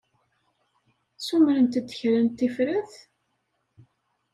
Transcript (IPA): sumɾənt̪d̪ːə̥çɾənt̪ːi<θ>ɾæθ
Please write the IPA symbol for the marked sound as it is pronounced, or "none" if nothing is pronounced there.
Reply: f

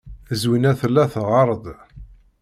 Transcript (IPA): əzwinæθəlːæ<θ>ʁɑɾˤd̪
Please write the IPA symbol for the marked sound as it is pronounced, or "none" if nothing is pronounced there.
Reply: θ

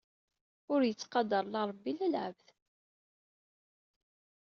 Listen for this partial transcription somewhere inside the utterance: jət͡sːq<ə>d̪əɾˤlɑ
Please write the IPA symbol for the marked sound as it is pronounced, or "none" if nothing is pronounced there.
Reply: ɑ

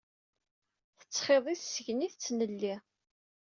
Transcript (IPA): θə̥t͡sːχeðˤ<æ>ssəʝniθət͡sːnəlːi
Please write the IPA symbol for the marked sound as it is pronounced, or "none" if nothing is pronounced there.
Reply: i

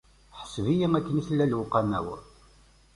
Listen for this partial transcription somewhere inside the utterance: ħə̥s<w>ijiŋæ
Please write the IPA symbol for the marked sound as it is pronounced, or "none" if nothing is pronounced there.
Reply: v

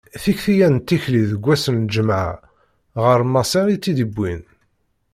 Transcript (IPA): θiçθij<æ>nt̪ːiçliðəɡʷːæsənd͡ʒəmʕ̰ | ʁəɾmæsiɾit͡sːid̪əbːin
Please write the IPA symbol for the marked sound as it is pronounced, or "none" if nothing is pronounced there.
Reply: æ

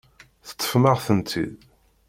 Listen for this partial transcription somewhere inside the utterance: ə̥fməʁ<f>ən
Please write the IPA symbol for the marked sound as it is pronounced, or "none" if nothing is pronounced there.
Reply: θ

